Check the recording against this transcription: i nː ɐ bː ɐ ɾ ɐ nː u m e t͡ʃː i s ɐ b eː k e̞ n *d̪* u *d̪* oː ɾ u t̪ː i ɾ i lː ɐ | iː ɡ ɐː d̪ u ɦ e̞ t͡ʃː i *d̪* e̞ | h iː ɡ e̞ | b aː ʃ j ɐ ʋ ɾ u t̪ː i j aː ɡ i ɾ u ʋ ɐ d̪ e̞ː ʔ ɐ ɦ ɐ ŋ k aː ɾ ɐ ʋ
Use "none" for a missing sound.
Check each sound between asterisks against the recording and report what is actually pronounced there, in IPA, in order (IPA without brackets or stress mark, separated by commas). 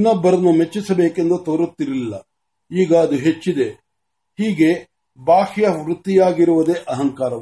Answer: d̪, t̪, d̪